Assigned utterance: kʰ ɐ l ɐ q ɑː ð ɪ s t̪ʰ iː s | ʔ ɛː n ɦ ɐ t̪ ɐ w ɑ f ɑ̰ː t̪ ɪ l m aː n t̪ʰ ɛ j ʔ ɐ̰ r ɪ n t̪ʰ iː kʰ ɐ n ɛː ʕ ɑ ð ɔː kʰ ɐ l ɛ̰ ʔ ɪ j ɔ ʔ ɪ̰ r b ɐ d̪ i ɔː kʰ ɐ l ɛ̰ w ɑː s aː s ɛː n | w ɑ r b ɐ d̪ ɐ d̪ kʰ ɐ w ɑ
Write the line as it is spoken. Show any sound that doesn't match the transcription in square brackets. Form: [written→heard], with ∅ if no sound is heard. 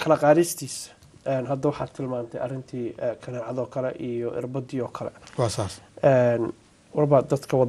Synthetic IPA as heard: kʰ ɐ l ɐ q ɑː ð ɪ s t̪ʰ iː s | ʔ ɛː n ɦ ɐ [t̪→d̪] ɐ w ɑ [f→ħ] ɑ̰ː [t̪→t̪ʰ] ɪ l m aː n t̪ʰ ɛ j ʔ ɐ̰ r ɪ n t̪ʰ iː kʰ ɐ n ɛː ʕ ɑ ð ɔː kʰ ɐ l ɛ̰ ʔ [ɪ→i] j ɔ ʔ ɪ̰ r b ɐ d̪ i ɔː kʰ ɐ l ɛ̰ w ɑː s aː s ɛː n | w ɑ r b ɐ d̪ ɐ d̪ kʰ ɐ w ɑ